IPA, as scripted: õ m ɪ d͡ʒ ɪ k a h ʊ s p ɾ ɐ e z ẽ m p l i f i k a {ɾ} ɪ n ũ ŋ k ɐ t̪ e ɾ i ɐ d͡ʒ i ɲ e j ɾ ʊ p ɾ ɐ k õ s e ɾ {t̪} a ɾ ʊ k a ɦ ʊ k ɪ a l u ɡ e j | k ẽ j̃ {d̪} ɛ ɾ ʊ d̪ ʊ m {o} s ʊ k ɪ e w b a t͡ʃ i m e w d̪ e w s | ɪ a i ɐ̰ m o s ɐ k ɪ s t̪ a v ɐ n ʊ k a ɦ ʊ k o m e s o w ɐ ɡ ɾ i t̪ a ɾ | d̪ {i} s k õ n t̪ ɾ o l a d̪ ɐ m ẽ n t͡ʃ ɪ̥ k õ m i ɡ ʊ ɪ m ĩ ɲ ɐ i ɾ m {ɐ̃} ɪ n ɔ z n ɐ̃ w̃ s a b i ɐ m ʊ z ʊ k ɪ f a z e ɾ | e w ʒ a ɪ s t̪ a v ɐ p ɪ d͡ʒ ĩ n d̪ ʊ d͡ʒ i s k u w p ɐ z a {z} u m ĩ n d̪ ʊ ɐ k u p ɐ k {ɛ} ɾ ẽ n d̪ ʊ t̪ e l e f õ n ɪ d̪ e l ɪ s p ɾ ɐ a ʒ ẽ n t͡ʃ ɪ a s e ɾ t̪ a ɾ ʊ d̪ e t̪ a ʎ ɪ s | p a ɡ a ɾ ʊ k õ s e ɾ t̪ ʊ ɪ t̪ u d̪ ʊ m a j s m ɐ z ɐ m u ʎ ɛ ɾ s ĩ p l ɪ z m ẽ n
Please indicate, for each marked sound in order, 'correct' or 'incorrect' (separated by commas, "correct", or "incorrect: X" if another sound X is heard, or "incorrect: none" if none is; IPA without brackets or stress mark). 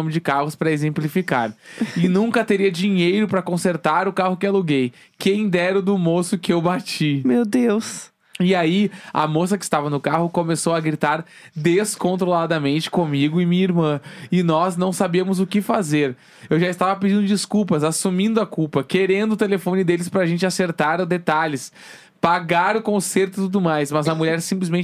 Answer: correct, correct, correct, correct, incorrect: e, correct, incorrect: s, incorrect: e